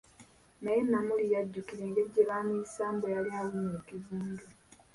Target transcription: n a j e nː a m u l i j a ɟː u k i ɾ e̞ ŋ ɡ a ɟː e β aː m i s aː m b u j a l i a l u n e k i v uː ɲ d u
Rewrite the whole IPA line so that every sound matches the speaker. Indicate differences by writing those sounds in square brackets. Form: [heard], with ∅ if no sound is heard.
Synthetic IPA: n a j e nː a m u l i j a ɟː u k i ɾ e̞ ŋ ɡ [e] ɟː e β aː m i s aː m b [o] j a l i a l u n e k i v uː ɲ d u